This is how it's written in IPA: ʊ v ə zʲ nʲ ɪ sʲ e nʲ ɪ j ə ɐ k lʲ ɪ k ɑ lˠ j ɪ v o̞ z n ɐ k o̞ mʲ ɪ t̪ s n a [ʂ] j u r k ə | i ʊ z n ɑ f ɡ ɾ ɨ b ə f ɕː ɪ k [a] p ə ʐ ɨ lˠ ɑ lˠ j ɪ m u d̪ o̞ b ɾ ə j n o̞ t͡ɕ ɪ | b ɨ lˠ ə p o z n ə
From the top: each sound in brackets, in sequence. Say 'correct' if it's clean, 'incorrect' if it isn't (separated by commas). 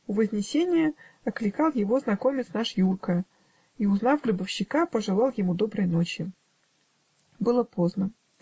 correct, correct